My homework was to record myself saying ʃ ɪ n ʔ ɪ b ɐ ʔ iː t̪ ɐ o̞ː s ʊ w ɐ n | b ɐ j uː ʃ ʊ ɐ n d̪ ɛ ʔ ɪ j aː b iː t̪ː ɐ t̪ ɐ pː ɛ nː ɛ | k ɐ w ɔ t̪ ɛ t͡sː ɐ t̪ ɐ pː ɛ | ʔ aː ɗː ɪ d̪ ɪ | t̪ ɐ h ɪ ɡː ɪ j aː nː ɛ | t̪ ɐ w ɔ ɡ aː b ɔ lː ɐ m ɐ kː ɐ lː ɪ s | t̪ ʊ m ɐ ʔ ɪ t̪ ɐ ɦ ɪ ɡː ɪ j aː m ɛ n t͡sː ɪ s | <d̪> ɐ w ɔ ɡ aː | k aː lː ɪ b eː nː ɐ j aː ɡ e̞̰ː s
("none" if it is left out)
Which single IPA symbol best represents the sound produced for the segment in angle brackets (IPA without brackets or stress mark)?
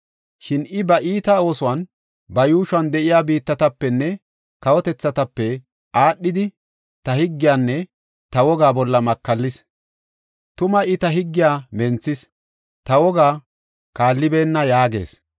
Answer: t̪